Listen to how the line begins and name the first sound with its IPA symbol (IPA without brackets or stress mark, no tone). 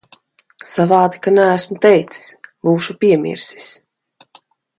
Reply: s